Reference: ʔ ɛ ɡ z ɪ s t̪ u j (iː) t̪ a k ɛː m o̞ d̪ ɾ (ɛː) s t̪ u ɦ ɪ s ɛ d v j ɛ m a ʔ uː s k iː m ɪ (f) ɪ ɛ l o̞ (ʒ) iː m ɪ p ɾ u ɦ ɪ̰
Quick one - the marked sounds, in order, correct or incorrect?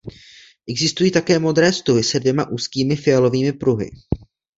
correct, correct, correct, incorrect: v

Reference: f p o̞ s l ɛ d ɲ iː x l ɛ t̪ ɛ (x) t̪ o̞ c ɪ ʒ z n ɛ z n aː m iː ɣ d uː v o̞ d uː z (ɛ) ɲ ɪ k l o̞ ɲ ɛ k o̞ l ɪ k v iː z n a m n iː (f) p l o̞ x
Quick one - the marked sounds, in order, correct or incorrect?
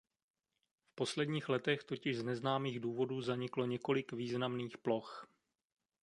correct, incorrect: a, incorrect: x

